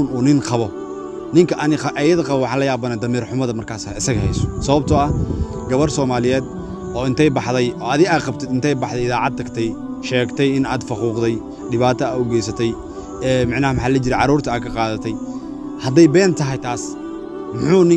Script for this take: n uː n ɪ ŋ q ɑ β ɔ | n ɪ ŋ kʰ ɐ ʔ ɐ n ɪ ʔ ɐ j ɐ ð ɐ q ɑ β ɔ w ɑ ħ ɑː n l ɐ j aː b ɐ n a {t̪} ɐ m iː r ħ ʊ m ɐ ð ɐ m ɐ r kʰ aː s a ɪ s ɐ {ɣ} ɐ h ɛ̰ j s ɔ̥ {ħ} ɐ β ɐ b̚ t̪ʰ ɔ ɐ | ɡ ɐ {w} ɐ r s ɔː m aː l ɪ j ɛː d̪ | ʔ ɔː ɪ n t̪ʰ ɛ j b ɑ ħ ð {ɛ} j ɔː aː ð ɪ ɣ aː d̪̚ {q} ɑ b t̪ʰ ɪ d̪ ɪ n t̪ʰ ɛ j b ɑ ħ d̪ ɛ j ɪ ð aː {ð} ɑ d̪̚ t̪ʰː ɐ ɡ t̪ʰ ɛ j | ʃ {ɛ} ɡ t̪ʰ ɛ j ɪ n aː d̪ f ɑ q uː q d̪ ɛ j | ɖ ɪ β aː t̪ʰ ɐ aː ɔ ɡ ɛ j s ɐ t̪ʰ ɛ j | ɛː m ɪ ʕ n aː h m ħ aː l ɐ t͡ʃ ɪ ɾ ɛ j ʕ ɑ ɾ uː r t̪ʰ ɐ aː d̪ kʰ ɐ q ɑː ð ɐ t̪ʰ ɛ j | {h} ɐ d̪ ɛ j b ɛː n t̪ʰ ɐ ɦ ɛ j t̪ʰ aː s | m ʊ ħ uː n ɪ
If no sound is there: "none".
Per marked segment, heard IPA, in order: d̪, ɣ, s, β, ɛ, q, ʕ, ɛː, h

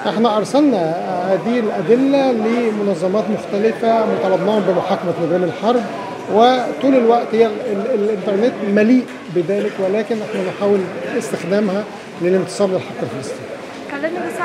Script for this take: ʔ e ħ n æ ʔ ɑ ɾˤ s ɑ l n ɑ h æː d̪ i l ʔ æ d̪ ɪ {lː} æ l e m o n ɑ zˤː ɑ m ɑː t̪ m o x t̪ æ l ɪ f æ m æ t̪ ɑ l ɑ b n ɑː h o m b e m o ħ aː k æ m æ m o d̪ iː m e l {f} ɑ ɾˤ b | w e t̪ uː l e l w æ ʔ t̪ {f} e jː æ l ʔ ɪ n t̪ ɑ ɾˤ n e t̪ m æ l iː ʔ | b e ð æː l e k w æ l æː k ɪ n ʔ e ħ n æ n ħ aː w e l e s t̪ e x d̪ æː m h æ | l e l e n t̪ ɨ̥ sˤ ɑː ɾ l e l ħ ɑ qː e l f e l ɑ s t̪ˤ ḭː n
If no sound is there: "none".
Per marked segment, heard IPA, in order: lː, ħ, h

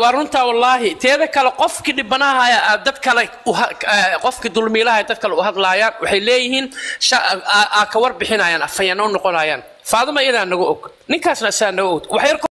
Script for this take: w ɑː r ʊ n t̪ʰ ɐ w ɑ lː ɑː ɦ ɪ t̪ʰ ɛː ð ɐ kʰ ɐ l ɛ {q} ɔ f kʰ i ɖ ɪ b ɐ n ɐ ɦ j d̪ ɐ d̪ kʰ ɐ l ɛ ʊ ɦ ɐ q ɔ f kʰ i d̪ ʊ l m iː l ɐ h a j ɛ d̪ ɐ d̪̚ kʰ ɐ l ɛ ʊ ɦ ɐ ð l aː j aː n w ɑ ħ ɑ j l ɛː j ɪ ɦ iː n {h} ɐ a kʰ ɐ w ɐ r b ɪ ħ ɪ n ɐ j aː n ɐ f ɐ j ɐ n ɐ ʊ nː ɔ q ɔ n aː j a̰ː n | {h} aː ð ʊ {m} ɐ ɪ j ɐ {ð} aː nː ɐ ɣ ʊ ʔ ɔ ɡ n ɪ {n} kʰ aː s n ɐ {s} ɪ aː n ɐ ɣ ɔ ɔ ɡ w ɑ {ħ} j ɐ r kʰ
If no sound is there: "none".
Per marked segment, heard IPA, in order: q, ʃ, f, m, ð, ŋ, s, ħ

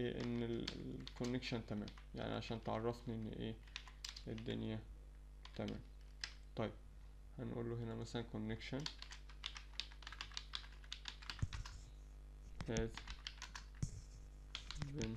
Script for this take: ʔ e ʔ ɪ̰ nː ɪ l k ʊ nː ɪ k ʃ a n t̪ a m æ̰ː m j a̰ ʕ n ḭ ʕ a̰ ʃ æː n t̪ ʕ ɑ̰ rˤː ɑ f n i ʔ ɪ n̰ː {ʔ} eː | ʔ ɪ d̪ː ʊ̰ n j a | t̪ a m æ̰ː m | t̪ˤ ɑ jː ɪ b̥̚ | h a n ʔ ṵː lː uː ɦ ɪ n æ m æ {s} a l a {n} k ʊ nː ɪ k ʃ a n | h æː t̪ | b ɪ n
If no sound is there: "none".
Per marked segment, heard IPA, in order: ʔ, s, n

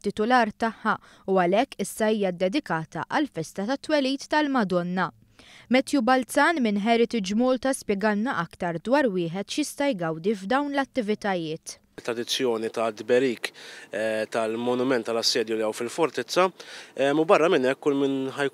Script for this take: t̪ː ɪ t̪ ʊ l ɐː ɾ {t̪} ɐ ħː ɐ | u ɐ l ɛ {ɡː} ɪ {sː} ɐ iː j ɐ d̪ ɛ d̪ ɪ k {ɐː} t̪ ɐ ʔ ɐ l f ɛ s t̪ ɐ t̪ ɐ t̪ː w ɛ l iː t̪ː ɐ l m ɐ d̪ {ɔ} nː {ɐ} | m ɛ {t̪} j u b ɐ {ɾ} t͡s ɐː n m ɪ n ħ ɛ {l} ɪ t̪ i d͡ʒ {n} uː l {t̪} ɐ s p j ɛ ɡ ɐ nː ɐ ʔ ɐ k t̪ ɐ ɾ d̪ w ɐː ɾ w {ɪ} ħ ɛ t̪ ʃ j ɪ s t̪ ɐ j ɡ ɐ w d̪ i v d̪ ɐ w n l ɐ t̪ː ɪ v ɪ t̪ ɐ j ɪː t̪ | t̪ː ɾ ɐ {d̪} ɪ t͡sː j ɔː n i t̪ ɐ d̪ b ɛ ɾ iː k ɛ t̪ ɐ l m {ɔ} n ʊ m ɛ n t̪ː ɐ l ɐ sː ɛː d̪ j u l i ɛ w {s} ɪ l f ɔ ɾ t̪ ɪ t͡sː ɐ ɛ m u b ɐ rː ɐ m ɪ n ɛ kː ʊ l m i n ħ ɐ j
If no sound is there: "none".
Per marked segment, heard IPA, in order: t̪, kː, sː, ɐː, ɔ, ɐ, t̪, l, ɾ, m, t̪, ɪː, d̪, ɔ, f

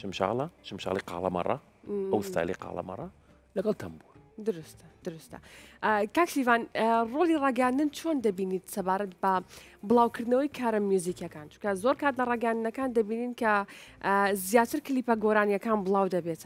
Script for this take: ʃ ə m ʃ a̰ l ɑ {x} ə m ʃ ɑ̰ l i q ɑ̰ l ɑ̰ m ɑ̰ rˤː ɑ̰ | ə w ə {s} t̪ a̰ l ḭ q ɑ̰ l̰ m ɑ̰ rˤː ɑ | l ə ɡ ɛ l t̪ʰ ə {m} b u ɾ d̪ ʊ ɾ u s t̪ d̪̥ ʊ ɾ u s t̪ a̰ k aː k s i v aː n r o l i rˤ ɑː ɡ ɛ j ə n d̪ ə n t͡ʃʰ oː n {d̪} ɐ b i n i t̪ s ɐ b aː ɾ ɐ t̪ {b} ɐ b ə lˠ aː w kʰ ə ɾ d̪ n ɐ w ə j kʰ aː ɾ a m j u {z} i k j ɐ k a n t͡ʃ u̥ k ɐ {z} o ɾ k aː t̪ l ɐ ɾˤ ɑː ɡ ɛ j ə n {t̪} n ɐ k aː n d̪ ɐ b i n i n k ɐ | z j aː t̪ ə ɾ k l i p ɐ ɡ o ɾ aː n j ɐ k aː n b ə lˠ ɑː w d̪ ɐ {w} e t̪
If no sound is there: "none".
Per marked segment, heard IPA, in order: ʃ, s, m, d̪, b, z, z, d̪, b

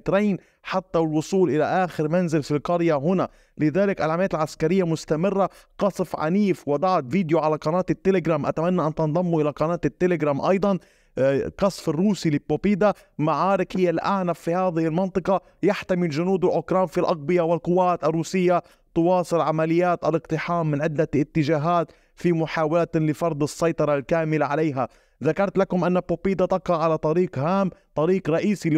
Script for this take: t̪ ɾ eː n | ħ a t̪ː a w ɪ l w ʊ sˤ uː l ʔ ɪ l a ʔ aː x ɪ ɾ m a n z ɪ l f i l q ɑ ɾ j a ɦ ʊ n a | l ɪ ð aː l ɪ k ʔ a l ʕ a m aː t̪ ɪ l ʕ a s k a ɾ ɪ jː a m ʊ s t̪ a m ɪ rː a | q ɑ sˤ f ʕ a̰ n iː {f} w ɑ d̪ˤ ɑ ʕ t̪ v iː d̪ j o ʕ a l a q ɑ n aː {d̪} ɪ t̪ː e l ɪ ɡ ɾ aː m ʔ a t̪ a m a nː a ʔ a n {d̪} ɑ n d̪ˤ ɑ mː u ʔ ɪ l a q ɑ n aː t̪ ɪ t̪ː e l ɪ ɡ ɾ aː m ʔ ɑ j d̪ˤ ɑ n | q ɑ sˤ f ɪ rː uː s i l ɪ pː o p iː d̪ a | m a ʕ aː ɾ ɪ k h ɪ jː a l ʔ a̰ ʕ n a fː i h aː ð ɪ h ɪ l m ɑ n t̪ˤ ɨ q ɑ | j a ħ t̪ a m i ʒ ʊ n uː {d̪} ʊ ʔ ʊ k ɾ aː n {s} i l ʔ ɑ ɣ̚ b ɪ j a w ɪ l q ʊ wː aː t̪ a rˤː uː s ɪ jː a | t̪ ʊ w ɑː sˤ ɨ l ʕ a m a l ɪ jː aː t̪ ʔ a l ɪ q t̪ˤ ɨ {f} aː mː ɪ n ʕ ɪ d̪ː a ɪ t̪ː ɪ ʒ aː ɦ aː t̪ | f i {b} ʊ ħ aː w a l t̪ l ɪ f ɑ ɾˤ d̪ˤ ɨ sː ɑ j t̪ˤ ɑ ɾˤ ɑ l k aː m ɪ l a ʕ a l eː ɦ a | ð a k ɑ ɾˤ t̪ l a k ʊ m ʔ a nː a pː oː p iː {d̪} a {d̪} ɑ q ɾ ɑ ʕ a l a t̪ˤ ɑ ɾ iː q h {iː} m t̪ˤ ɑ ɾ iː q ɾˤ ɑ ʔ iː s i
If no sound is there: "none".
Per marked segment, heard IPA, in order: f, t̪, t̪, d̪, f, ħ, m, d̪, t̪, aː

